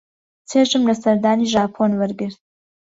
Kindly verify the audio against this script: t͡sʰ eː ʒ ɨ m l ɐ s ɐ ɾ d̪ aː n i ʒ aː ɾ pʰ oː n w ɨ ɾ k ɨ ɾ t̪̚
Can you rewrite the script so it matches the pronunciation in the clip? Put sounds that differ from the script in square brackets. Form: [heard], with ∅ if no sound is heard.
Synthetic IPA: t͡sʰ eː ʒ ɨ m l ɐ s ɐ ɾ d̪ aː n i ʒ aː [∅] pʰ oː n w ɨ ɾ [ɡ] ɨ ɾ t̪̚